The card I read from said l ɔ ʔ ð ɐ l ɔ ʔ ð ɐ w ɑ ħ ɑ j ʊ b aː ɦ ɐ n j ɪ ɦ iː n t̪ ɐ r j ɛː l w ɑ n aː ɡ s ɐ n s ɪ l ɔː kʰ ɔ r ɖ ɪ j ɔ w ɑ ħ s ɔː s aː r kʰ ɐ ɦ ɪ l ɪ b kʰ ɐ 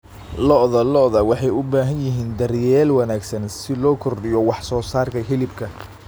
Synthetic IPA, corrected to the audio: l ɔ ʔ ð ɐ l ɔ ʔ ð ɐ w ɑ ħ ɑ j ʊ b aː ɦ ɐ n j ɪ ɦ iː n d̪ ɐ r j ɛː l w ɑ n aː ɡ s ɐ n s ɪ l ɔː kʰ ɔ r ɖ ɪ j ɔ w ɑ ħ s ɔː s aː r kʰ ɐ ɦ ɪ l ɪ b kʰ ɐ